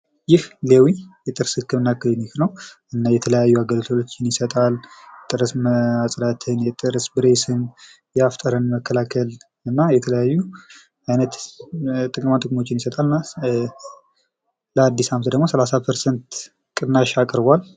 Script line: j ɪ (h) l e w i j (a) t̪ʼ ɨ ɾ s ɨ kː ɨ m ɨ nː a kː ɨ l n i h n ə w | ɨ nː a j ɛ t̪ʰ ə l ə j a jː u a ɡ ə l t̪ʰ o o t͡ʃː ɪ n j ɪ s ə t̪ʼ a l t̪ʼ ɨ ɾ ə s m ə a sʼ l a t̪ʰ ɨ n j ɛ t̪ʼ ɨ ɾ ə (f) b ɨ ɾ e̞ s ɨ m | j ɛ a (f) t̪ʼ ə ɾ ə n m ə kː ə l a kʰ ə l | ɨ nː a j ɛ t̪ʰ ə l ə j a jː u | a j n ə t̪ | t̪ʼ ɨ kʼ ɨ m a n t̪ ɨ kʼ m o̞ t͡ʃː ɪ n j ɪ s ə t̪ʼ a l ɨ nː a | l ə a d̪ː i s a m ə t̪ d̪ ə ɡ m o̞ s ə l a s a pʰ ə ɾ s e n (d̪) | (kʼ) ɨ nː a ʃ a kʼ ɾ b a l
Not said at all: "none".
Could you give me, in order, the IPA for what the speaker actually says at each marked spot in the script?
h, ɛ, s, f, t̪, kʼ

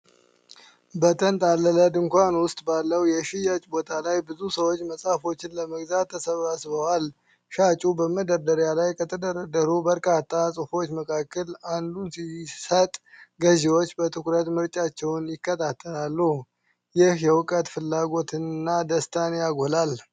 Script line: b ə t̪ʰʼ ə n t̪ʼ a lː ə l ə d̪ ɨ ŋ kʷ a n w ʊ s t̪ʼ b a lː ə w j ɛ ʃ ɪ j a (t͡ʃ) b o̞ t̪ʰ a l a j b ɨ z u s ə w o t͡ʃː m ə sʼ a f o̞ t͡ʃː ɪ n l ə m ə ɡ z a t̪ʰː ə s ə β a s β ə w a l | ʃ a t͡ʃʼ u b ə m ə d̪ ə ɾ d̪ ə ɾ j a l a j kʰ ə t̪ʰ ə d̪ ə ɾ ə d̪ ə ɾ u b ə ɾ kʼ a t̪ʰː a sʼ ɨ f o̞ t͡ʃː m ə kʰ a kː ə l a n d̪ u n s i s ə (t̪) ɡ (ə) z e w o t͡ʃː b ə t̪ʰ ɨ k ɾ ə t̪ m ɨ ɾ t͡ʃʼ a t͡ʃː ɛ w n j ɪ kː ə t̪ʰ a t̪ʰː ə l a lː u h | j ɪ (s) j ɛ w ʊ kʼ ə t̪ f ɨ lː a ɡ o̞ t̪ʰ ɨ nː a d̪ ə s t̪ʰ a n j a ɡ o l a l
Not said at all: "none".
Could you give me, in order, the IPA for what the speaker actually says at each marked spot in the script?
t͡ʃʼ, t̪ʼ, ə, h

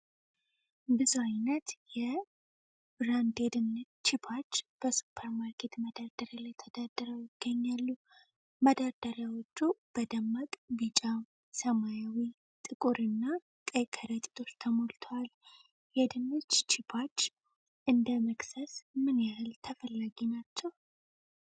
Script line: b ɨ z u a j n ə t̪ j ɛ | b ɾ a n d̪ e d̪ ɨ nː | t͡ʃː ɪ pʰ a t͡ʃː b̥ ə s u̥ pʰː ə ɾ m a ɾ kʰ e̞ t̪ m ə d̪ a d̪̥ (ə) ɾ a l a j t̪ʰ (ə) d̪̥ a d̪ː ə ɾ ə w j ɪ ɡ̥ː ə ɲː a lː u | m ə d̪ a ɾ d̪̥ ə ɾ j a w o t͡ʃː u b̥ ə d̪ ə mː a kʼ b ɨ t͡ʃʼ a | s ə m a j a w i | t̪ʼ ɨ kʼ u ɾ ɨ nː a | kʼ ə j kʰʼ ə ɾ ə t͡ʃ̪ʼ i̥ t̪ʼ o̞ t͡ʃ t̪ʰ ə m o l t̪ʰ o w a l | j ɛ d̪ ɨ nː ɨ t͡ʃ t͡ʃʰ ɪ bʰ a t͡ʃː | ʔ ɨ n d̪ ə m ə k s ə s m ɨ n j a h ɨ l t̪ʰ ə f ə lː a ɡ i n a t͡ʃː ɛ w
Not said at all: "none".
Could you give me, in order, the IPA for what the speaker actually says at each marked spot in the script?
ə, ə

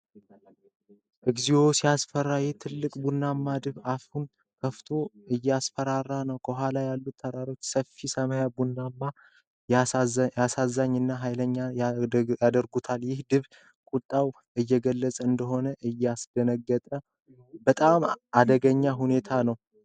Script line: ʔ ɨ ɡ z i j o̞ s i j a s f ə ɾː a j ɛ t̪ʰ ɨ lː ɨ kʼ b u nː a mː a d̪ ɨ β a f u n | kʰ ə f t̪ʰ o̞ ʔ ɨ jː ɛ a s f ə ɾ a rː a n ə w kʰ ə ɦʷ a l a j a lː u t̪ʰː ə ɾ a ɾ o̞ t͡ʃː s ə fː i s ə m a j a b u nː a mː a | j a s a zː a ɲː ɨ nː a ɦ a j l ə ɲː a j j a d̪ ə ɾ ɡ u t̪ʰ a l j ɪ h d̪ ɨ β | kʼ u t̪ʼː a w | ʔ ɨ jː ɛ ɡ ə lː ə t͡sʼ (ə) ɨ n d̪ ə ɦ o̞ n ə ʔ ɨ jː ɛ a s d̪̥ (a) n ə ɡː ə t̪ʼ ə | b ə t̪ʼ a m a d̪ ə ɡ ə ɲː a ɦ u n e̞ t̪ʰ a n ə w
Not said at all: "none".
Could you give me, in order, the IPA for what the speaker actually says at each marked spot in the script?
ə, ə

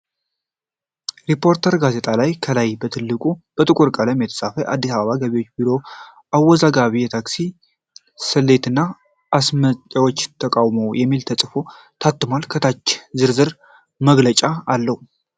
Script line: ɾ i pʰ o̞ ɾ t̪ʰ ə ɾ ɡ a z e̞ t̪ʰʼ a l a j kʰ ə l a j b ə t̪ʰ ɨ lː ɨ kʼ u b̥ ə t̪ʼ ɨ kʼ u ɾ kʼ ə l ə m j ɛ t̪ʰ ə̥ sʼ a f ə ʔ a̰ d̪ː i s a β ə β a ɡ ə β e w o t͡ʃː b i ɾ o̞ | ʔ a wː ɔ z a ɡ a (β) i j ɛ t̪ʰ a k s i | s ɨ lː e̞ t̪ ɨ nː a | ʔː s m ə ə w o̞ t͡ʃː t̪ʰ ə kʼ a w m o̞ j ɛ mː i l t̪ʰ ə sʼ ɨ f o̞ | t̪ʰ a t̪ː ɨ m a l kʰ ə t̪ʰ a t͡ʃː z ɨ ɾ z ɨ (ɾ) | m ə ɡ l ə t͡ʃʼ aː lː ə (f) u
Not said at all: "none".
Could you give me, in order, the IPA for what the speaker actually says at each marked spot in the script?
β, ɾ, h

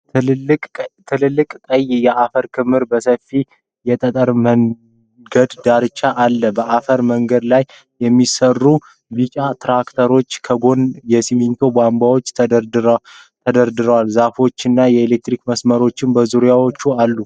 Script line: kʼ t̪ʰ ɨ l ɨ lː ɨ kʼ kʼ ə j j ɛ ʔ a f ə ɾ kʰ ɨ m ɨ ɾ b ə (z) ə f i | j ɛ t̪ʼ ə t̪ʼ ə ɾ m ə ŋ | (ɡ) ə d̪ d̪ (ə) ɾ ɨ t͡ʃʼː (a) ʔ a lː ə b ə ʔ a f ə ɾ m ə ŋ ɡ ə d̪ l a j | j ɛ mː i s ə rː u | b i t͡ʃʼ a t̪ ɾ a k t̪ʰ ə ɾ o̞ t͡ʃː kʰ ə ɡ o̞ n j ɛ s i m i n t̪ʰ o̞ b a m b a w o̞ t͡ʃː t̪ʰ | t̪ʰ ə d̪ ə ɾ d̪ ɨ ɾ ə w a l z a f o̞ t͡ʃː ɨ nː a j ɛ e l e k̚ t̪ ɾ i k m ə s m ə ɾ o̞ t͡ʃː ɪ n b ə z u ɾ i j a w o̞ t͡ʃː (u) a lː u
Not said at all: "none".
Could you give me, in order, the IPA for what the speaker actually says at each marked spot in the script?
s, ɡ, a, a, u

